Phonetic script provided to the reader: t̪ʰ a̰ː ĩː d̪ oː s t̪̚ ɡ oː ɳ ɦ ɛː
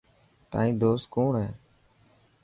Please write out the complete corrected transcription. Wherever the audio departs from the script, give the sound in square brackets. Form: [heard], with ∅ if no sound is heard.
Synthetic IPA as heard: [t̪] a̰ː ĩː d̪ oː s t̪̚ [k] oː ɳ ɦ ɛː